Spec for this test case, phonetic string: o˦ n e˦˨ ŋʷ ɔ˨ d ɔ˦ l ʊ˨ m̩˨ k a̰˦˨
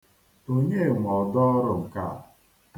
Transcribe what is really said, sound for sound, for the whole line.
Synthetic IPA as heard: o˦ ɲ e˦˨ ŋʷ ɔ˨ d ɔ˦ ɾ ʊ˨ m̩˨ k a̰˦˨